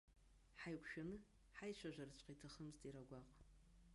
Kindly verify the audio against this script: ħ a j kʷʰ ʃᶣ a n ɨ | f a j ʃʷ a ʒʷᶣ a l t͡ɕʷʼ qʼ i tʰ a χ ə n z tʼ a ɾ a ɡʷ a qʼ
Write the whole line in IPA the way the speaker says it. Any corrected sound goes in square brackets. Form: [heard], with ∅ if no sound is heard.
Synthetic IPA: ħ a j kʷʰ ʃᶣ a n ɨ | [ħ] a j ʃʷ a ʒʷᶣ a [r] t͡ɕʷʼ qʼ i tʰ a χ ə [m] z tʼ [i] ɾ a ɡʷ a qʼ

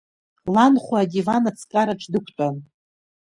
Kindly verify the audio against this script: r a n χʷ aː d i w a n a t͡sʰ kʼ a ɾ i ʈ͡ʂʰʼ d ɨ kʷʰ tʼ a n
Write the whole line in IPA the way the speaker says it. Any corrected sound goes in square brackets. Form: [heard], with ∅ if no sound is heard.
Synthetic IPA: [l] a n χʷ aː d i [v] a n a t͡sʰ kʼ a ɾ [a] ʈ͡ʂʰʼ d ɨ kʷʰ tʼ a n

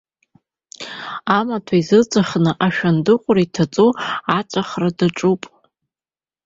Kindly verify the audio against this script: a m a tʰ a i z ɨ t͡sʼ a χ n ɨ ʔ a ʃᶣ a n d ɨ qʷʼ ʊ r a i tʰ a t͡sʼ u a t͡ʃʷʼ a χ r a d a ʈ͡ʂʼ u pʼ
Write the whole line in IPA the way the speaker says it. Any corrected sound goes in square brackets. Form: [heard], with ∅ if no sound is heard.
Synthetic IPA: a m a tʰ a i z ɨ t͡sʼ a χ n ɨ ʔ a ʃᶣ a n d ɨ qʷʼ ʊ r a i tʰ a t͡sʼ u a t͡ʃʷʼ a χ r a d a ʈ͡ʂʼ u pʼ

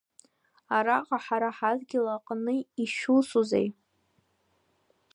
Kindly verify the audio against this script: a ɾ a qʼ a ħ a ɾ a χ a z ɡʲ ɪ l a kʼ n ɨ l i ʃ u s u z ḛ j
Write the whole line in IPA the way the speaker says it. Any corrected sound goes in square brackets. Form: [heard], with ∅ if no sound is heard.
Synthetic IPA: a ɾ a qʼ a ħ a ɾ a [ħ] a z ɡʲ ɪ l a [qʼ] n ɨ [∅] i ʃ u s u z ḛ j

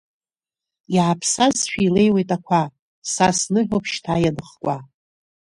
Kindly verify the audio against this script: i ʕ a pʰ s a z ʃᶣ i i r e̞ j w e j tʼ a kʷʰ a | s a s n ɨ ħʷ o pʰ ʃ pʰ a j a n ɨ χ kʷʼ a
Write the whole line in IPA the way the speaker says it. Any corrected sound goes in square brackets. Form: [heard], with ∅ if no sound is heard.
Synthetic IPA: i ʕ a pʰ s a z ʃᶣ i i [l] e̞ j w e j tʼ a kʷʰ a | s a s n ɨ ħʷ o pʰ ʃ [tʰ] a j a n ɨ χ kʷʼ a

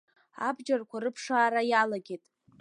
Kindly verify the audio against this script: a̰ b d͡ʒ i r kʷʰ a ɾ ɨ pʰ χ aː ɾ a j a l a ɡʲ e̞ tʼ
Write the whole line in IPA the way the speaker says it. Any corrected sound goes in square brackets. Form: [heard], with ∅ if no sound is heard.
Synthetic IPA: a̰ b d͡ʒ [a] r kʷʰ a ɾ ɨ pʰ [ʂ] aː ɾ a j a l a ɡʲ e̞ tʼ

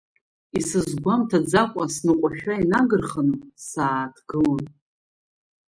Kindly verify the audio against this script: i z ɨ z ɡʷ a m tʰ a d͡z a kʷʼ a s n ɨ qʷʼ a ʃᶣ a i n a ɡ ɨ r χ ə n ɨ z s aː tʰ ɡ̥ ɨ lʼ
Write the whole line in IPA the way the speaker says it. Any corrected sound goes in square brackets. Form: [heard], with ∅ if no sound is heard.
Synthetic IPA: i [s] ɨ z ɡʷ a m tʰ a d͡z a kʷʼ a s n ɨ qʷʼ a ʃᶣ a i n a ɡ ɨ r χ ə n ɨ [∅] s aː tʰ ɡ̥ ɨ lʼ

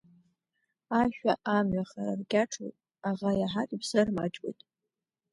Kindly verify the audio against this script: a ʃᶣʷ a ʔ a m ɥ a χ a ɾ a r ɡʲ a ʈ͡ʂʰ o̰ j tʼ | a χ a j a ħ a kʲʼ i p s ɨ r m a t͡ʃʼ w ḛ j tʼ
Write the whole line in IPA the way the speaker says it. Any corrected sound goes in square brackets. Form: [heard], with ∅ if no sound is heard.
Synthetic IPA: a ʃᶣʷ a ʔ a m ɥ a χ a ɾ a r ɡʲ a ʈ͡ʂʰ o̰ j tʼ | a [ʁ] a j a ħ a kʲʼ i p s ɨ r m a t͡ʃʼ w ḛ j tʼ

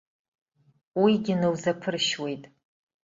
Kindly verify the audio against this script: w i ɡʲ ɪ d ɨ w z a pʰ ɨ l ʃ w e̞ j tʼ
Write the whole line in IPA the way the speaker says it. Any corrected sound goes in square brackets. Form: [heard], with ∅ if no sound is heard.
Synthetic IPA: w i ɡʲ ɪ [n] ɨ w z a pʰ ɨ [r] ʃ w e̞ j tʼ

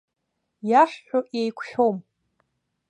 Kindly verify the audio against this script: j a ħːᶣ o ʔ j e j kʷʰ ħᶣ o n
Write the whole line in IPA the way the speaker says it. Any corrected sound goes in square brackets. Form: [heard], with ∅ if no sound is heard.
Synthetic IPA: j a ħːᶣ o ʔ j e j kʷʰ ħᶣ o [m]

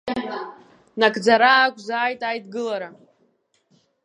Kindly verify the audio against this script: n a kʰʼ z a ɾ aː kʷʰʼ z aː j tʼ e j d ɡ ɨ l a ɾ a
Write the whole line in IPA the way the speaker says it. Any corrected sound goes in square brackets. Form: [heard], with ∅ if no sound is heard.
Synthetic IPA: n a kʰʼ [d͡z] a ɾ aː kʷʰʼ z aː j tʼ [a] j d ɡ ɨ l a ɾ a

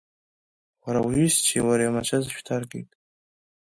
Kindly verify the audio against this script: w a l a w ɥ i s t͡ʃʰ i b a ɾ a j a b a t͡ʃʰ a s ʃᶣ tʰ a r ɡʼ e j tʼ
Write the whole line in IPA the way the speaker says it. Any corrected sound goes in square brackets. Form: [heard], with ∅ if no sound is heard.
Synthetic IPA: w a [ɾ] a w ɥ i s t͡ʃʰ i [w] a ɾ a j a [m] a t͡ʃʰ a [z] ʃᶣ tʰ a r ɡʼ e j tʼ

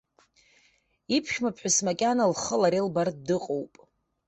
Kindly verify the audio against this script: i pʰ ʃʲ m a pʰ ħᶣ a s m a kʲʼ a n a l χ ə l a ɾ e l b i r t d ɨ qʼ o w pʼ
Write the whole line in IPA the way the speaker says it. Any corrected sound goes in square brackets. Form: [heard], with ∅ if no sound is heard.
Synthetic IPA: i pʰ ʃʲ m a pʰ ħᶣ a s m a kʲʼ a n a l χ ə l a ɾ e l b [a] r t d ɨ qʼ o w pʼ

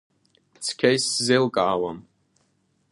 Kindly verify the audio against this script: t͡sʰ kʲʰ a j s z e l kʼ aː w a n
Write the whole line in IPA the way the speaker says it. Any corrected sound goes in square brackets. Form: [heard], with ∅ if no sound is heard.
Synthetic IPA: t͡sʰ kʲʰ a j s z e l kʼ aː w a [m]

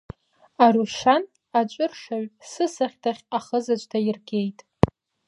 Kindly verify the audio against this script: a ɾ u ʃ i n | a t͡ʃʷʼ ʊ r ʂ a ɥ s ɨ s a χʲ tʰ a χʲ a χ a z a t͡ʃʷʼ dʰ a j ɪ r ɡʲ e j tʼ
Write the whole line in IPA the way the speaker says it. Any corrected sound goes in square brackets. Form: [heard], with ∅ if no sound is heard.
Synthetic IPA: a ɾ u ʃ [a] n | a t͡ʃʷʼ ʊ r ʂ a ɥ s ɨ s a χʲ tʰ a χʲ a χ [ə] z a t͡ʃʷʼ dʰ a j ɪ r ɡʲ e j tʼ

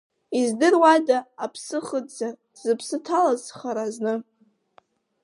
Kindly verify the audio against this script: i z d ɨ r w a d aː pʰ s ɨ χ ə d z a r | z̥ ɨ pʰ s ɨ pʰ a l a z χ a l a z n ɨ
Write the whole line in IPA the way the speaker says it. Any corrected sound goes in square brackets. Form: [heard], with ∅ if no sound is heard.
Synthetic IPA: i z d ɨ r w a d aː pʰ s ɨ χ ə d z a r | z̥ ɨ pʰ s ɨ [tʰ] a l a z χ a [ɾ] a z n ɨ

